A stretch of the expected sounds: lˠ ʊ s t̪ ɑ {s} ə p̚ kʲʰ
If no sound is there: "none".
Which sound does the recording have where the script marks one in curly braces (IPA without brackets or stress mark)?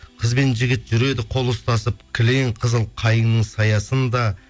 s